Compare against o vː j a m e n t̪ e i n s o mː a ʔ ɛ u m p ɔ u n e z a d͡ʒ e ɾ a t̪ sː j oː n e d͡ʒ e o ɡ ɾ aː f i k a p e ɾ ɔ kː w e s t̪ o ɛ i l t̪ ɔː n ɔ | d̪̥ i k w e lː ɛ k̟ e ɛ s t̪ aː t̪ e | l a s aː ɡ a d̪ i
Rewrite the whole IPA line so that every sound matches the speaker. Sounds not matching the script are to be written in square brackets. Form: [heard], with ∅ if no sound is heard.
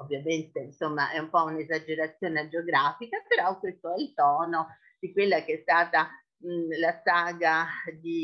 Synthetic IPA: o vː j a m e n t̪ e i n s o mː a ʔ ɛ u m p ɔ u n e z a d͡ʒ e ɾ a t̪ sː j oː n e d͡ʒ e o ɡ ɾ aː f i k a p e ɾ ɔ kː w e s t̪ o ɛ i l t̪ ɔː n [o] | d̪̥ i k w e lː [a] k̟ e ɛ s t̪ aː t̪ [a] | l a s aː ɡ a d̪ i